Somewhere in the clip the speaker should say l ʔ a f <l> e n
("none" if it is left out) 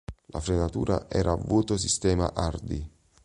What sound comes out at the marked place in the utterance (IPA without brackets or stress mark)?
ɾ